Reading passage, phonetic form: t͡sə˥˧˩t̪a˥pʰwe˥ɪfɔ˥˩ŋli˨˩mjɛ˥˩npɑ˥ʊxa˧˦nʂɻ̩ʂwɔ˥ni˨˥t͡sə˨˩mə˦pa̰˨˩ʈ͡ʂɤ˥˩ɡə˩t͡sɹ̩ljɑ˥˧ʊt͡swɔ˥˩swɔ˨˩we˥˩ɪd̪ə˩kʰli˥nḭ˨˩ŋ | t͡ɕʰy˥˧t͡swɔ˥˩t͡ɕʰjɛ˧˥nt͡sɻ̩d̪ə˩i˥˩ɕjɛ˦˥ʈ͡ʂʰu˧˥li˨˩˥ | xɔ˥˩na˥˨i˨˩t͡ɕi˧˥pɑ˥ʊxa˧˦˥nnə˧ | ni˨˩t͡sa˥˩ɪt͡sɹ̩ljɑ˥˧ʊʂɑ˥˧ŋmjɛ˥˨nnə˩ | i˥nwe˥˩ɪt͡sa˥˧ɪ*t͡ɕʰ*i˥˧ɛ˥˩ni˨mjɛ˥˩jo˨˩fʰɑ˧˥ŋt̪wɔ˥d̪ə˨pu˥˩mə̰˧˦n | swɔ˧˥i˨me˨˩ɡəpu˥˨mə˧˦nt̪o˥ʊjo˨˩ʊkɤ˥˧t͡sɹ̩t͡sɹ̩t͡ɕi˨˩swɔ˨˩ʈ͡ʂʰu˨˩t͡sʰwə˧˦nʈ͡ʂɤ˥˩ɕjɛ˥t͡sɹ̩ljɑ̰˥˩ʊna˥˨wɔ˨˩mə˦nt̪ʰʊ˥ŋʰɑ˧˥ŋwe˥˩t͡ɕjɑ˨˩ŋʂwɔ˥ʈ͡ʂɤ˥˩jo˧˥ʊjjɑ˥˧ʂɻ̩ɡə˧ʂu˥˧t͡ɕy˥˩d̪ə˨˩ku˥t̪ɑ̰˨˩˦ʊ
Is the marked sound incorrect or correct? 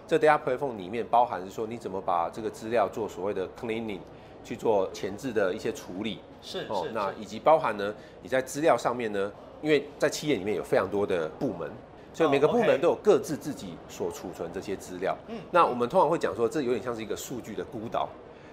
correct